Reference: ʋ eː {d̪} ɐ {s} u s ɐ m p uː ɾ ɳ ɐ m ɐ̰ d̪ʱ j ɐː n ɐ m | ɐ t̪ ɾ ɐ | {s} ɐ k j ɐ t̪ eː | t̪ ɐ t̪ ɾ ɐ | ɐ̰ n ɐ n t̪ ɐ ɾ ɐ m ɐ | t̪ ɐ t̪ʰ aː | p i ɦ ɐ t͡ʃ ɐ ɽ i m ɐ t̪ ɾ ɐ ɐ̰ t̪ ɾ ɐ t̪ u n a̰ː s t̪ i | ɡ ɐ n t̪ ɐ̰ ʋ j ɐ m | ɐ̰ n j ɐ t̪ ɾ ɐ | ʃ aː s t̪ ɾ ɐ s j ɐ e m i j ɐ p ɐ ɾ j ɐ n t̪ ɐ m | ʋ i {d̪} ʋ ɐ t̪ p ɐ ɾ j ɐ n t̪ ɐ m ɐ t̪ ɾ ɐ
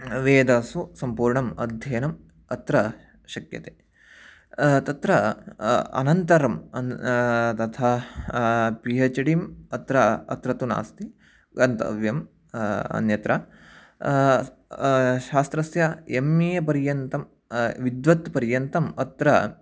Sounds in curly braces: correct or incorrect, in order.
correct, correct, incorrect, correct

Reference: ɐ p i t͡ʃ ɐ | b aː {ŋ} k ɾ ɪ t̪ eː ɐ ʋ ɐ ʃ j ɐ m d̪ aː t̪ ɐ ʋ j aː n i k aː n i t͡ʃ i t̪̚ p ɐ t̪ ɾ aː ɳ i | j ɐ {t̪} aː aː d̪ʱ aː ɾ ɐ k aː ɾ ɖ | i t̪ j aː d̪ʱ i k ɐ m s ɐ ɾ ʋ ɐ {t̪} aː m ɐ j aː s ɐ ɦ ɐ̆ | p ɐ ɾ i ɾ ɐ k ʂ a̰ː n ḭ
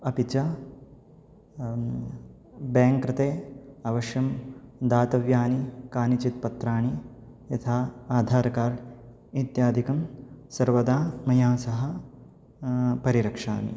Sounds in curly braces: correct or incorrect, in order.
correct, incorrect, incorrect

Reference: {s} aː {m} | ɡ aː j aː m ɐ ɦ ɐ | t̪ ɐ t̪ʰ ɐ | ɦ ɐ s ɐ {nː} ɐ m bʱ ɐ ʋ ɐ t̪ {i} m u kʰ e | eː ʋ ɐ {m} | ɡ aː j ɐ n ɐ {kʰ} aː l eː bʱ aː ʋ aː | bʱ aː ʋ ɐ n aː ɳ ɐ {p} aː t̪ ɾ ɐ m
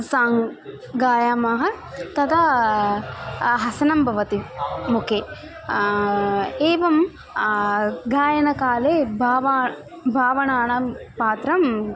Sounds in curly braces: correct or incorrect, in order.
correct, incorrect, incorrect, correct, correct, incorrect, correct

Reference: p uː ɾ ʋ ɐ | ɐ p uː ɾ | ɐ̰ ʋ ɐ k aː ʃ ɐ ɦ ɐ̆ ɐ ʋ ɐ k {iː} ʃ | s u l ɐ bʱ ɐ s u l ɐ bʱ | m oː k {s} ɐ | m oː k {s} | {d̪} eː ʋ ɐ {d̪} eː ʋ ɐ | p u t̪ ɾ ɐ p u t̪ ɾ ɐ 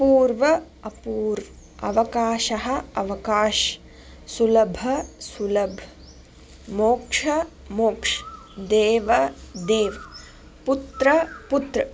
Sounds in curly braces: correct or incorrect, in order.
incorrect, incorrect, incorrect, correct, correct

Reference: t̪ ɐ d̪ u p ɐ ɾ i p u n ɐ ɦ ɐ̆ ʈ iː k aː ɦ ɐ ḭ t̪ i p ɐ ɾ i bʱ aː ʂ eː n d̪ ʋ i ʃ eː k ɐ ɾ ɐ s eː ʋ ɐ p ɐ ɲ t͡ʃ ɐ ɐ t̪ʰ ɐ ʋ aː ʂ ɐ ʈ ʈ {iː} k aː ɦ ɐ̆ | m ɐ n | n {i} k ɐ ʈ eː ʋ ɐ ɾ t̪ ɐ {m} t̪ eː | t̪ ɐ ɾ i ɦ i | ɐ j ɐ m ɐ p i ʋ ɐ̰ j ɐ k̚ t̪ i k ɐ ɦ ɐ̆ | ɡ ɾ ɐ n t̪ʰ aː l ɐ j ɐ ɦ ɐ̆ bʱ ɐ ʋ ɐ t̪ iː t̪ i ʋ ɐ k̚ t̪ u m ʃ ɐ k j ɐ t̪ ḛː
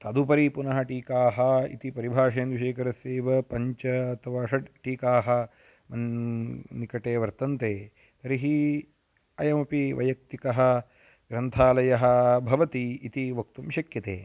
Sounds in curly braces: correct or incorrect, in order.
correct, correct, incorrect

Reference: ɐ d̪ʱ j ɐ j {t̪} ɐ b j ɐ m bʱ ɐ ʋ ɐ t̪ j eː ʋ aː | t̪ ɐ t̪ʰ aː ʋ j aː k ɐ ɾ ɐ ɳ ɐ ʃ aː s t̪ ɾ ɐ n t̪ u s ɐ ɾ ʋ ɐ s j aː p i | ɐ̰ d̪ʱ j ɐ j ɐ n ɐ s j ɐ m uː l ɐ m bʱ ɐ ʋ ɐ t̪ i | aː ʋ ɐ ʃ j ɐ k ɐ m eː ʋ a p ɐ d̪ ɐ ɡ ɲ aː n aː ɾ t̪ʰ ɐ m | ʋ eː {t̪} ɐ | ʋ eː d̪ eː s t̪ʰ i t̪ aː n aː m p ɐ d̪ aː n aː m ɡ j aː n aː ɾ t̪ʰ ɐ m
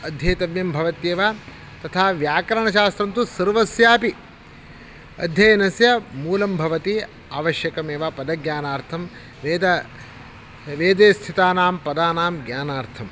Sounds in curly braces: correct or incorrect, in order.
correct, incorrect

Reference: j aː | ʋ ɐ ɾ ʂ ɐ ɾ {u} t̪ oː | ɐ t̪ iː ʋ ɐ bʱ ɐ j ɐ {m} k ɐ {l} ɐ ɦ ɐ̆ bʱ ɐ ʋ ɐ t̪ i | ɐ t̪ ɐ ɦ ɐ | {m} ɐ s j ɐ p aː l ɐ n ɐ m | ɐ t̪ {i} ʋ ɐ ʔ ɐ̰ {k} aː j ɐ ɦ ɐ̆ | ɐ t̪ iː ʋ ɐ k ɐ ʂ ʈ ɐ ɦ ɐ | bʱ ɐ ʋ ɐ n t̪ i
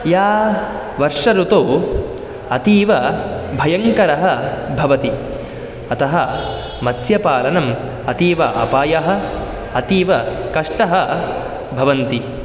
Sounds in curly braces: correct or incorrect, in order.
correct, incorrect, incorrect, correct, incorrect, incorrect

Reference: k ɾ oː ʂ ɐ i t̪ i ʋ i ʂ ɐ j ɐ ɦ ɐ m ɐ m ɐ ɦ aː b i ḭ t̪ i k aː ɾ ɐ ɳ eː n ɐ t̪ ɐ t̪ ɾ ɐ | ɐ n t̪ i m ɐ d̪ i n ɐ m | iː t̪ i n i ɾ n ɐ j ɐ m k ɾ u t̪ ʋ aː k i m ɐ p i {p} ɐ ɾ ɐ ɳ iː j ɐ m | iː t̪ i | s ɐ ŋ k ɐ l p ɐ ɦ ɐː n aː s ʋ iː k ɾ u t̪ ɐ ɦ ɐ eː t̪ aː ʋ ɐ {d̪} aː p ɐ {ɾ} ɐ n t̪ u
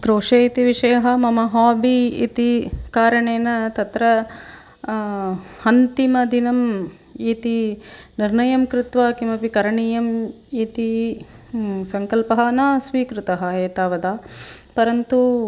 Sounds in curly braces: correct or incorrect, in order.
incorrect, correct, correct

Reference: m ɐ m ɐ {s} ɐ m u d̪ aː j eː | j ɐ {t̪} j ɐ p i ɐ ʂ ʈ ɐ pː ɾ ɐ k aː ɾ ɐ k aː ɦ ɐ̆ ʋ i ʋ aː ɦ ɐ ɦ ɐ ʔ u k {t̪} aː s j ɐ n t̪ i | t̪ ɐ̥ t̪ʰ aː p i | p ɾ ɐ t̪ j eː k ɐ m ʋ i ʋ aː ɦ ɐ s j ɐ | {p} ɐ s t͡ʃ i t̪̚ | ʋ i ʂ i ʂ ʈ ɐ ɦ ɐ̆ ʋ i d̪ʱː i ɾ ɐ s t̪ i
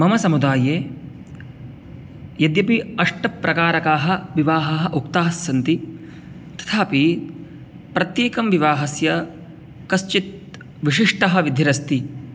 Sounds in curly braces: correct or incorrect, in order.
correct, incorrect, correct, incorrect

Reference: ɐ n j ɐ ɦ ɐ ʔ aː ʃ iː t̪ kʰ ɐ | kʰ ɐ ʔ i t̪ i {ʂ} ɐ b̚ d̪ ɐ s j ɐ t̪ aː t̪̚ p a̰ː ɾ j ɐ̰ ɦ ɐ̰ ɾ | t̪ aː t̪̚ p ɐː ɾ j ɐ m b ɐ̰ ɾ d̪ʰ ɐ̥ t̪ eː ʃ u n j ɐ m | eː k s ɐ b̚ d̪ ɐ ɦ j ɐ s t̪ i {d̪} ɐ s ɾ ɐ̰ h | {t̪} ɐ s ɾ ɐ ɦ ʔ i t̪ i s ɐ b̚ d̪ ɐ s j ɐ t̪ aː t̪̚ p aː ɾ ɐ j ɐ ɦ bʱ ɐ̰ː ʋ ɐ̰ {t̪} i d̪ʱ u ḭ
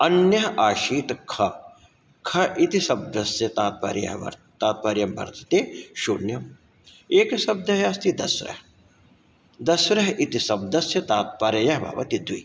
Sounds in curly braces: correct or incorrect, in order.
incorrect, correct, incorrect, correct

